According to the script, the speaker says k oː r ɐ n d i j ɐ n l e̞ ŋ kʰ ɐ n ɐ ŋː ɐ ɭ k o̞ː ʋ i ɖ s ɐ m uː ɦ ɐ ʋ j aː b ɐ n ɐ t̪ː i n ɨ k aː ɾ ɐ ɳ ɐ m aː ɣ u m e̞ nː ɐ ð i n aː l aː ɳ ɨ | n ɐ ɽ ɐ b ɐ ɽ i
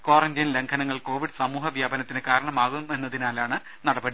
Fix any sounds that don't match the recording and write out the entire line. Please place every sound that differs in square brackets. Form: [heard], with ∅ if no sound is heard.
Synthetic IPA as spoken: k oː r ɐ n d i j ɐ n l e̞ ŋ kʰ ɐ n ɐ ŋː ɐ ɭ k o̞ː ʋ i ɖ s ɐ m uː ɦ ɐ ʋ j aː b ɐ n ɐ t̪ː i n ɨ k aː ɾ ɐ ɳ ɐ m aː ɣ u m e̞ nː ɐ ð i n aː l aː ɳ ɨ | n ɐ ɽ ɐ b ɐ ɽ i